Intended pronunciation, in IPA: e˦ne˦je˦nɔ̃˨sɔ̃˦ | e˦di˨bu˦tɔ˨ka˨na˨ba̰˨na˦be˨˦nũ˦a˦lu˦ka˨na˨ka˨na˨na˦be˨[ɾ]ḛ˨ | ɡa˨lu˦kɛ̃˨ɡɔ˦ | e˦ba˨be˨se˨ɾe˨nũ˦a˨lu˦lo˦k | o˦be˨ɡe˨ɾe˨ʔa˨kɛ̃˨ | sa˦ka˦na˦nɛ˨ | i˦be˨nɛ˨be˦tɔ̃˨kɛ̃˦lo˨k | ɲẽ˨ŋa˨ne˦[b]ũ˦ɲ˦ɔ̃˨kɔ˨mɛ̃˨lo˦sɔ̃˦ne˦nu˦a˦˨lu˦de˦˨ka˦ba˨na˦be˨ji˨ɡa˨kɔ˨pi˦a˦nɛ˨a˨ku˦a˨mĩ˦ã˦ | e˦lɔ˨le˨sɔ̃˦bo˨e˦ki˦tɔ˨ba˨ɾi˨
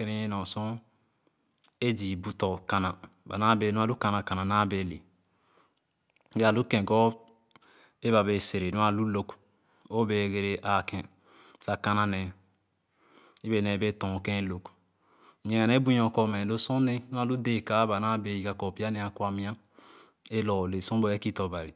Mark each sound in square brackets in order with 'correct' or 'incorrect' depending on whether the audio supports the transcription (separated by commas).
incorrect, correct